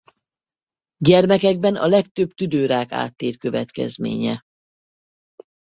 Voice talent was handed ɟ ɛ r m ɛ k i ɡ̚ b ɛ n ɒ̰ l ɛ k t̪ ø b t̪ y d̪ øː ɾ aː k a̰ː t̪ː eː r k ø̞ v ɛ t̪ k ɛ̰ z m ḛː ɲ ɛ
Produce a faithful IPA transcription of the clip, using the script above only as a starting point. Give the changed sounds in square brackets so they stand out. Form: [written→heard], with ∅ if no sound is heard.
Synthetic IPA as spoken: ɟ ɛ r m ɛ k [i→ɛ] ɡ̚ b ɛ n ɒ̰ l ɛ k t̪ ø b t̪ y d̪ øː ɾ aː k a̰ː t̪ː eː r k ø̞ v ɛ t̪ k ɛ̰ z m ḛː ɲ ɛ